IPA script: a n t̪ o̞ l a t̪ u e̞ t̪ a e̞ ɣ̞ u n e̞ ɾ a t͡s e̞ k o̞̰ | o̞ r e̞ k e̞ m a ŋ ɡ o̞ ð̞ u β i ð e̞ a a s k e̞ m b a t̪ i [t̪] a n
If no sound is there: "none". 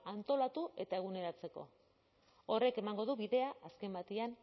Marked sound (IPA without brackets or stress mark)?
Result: none